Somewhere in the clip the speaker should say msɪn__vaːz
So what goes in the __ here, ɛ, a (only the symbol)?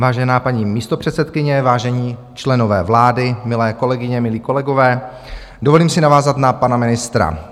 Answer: a